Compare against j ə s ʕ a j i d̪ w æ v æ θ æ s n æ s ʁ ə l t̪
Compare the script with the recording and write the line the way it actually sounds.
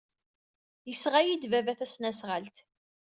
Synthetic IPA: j ə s ʁ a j i d̪ v æ v æ θ æ s n æ s ʁ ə l t̪